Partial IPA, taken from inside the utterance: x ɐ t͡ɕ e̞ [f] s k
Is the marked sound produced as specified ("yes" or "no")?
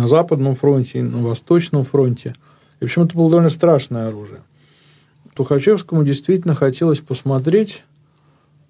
yes